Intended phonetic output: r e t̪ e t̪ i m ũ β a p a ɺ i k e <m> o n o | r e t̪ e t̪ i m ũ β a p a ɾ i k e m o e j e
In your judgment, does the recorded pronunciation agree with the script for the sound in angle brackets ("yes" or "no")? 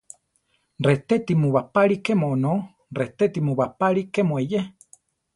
yes